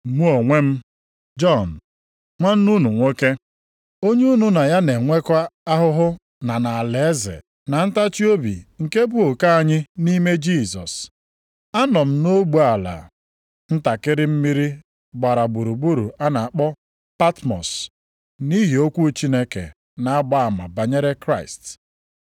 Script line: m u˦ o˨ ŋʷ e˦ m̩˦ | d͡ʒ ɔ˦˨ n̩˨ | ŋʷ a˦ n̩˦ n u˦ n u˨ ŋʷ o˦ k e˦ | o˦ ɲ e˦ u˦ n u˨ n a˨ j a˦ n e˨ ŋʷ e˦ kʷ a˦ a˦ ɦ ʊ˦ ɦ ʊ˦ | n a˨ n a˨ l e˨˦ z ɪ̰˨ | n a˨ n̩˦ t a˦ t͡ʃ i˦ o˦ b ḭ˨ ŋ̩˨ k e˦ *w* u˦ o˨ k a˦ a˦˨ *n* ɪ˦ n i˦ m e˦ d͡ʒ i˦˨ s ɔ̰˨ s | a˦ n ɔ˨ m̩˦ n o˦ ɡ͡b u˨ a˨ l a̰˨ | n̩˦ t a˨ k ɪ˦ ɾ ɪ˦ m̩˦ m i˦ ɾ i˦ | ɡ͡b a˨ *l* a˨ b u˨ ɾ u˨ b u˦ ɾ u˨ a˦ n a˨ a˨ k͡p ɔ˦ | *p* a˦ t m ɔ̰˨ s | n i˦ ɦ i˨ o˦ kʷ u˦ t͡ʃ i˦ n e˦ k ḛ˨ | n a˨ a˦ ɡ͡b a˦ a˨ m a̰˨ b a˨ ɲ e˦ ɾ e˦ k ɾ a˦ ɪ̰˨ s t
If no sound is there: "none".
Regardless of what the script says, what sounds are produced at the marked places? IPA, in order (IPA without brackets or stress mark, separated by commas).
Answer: b, ɲ, ɾ, p